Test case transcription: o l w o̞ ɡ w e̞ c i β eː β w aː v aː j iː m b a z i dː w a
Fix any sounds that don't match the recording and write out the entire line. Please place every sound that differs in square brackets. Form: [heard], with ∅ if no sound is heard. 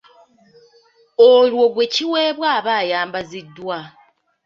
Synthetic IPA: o l w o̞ ɡ w e̞ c i [w] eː β w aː [β] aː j [aː] m b a z i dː w a